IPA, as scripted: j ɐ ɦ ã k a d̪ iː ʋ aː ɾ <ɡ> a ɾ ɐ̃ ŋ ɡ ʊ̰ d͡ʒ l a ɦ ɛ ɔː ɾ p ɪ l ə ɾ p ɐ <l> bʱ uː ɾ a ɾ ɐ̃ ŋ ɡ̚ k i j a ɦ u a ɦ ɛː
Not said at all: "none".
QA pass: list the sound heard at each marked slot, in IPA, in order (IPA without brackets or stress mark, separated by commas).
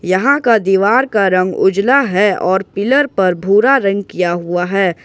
k, ɾ